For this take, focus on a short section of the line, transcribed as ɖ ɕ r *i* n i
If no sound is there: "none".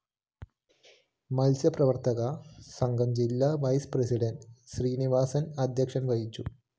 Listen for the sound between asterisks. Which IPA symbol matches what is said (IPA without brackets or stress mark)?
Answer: iː